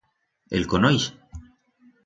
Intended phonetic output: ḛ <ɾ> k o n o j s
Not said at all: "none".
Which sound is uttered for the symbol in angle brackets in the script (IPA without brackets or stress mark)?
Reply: l